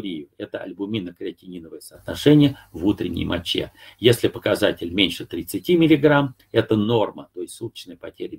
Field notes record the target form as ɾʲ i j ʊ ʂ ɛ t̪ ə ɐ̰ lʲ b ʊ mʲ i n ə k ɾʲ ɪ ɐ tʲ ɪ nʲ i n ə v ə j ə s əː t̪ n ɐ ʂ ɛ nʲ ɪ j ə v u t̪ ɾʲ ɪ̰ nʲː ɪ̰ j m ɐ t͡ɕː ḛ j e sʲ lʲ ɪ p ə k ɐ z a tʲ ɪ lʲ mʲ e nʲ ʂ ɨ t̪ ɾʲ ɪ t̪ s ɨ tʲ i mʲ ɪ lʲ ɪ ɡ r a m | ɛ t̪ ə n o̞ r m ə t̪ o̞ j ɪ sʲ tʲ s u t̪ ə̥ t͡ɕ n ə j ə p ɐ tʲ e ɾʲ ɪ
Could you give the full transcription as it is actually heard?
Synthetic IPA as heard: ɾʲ i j ʊ ɛ t̪ ə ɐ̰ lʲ b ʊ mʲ i n ə k ɾʲ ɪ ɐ tʲ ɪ nʲ i n ə v ə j ə s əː t̪ n ɐ ʂ ɛ nʲ ɪ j ə v u t̪ ɾʲ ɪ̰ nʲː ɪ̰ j m ɐ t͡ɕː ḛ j e sʲ lʲ ɪ p ə k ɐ z a tʲ ɪ lʲ mʲ e nʲ ʂ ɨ t̪ ɾʲ ɪ t̪ s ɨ tʲ i mʲ ɪ lʲ ɪ ɡ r a m | ɛ t̪ ə n o̞ r m ə t̪ o̞ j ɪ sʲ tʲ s u t̪ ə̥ t͡ɕ n ə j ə p ɐ tʲ e ɾʲ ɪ